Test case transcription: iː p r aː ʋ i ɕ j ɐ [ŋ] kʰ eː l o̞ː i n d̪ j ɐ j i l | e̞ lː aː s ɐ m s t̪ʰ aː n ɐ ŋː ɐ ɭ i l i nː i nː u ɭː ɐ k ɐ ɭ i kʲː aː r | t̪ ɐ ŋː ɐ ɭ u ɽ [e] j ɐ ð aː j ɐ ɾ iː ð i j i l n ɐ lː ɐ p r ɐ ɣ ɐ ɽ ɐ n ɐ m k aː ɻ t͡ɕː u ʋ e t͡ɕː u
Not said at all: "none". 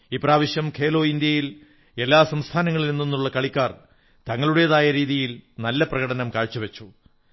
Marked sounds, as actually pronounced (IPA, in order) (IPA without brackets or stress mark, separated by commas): m, e